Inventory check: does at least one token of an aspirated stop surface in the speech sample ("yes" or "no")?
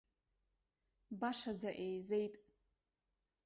no